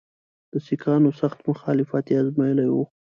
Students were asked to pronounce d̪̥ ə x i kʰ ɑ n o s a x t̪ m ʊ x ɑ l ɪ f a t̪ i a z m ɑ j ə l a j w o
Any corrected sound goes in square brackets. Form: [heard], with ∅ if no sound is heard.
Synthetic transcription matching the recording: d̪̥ ə [s] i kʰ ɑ n o s a x t̪ m ʊ x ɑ l ɪ f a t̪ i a z m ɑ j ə l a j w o